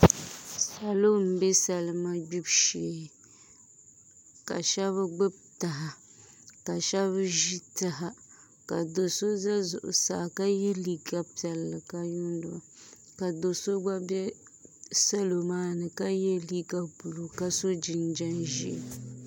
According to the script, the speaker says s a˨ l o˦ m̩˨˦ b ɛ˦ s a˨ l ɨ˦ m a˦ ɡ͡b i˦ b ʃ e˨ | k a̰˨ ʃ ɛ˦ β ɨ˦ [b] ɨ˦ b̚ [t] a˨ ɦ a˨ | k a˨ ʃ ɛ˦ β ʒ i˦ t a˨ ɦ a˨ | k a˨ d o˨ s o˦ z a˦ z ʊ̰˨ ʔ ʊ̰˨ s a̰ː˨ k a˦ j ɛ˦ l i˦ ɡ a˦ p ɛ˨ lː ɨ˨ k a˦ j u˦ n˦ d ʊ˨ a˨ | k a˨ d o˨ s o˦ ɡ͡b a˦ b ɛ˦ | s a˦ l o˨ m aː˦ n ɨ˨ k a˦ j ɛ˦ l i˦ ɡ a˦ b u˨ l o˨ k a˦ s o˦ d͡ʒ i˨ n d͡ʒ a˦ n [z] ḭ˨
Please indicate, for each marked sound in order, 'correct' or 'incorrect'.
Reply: incorrect, correct, incorrect

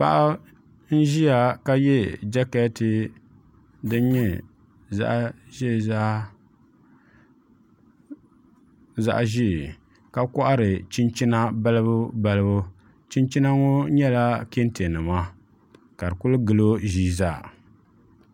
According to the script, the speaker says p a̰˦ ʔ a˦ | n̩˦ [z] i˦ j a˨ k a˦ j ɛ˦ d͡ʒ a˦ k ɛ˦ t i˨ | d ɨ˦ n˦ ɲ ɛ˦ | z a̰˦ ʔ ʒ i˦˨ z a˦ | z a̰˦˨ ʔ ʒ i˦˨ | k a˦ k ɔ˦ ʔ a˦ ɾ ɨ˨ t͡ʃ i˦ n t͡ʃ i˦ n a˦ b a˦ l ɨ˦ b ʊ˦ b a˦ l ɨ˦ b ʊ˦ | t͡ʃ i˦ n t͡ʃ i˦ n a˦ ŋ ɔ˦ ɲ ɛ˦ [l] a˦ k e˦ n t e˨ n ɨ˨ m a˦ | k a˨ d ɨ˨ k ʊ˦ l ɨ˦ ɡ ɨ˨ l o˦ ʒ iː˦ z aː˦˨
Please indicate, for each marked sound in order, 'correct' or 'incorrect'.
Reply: incorrect, correct

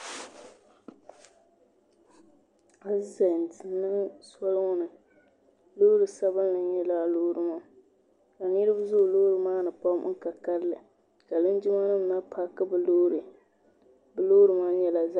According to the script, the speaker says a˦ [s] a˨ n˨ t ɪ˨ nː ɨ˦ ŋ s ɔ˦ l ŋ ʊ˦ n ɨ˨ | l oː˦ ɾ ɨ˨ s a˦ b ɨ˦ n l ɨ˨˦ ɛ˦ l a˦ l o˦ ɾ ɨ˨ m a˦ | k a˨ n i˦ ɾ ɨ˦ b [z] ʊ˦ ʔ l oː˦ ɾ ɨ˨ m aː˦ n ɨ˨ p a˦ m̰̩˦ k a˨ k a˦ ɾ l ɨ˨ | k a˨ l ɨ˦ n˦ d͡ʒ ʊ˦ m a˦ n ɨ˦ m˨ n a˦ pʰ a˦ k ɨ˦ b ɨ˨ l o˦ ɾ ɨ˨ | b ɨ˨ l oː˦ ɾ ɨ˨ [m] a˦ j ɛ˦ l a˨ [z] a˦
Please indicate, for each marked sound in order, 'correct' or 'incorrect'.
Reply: incorrect, correct, correct, correct

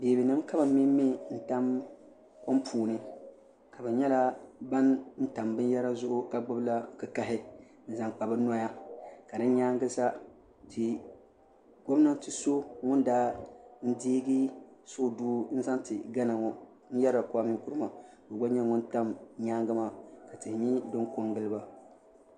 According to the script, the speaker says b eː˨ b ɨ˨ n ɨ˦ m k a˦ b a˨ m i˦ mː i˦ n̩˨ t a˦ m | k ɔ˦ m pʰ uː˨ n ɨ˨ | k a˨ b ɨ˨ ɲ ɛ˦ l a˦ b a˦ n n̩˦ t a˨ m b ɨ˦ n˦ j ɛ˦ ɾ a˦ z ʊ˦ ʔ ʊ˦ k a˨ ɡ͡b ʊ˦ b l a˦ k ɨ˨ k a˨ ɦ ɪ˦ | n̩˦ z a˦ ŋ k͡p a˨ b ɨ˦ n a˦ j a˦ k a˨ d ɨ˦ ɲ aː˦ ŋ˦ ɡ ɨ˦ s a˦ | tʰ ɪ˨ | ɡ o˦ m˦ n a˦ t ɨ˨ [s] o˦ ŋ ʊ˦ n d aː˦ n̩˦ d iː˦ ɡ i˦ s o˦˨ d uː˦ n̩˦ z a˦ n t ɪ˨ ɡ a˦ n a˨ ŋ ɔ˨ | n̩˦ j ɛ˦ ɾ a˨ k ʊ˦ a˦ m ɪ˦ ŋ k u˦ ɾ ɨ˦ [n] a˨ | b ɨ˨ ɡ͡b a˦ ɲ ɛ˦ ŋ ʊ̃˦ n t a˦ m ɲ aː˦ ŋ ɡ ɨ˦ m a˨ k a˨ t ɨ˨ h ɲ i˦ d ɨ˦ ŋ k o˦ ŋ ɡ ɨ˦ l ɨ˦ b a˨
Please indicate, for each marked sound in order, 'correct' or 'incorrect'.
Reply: correct, incorrect

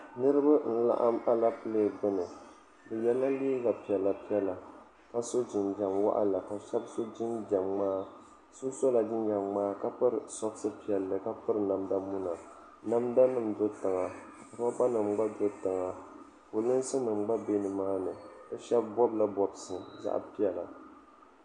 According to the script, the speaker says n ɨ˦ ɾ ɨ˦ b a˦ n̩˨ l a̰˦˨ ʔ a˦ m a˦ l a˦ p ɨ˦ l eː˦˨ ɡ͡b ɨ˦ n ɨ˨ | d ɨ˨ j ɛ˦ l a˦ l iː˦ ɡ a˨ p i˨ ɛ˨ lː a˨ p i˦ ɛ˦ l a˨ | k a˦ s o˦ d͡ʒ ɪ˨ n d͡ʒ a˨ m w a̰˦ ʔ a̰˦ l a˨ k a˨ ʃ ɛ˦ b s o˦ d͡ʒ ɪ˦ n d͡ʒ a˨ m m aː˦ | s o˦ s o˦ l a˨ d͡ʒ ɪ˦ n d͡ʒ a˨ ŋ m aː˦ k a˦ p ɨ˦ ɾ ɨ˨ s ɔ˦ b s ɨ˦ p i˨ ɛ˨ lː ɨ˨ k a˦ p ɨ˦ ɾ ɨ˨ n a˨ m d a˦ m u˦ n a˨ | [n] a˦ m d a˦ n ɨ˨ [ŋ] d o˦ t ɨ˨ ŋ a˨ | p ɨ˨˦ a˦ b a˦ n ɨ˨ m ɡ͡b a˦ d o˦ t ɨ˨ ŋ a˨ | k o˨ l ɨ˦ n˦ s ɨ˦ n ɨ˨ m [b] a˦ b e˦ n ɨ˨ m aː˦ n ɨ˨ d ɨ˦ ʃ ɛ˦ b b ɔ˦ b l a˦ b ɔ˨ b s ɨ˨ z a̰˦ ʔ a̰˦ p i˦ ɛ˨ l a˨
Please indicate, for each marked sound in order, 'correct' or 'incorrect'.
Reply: correct, incorrect, incorrect

